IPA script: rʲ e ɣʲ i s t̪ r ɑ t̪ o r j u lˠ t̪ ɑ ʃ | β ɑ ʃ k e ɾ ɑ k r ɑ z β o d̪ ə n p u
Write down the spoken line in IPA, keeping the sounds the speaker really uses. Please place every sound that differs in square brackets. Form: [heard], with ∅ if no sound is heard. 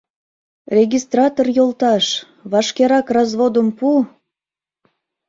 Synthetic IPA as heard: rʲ e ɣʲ i s t̪ r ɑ t̪ o r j [o] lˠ t̪ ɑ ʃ | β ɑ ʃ k e ɾ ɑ k r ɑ z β o d̪ ə [m] p u